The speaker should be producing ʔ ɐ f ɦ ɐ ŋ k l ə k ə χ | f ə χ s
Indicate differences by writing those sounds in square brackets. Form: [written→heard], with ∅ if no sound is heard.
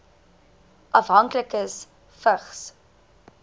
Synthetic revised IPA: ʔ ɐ f ɦ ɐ ŋ k l ə k ə [χ→s] | f ə χ s